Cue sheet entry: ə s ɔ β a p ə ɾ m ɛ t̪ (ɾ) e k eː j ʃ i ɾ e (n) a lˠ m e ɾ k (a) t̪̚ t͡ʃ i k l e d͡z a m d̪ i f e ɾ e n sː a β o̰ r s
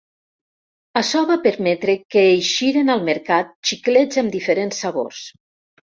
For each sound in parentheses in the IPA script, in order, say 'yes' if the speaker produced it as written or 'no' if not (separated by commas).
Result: yes, yes, yes